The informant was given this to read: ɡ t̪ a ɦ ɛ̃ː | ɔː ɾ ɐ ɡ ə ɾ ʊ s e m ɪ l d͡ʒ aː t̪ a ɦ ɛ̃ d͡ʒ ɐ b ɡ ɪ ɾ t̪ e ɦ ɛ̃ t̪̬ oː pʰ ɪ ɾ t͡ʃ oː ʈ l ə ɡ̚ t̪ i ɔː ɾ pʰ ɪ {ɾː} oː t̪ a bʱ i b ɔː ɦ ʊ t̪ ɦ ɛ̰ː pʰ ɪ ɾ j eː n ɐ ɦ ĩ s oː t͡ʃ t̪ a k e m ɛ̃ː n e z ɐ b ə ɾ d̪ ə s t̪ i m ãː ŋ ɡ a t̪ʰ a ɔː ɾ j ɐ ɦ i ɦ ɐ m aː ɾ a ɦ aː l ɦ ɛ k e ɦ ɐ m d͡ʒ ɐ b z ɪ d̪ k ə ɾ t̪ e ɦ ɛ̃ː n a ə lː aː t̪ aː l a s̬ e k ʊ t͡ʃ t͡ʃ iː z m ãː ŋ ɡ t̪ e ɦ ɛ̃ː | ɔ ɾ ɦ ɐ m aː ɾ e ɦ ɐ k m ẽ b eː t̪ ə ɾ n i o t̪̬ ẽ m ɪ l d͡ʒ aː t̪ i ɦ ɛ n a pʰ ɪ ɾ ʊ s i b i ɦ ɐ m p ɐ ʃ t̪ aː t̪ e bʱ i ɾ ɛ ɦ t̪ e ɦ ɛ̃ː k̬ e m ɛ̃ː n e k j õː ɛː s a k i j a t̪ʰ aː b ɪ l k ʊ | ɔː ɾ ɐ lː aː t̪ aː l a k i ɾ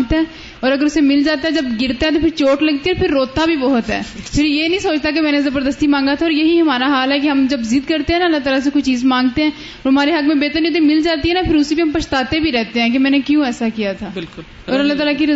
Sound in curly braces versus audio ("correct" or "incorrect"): correct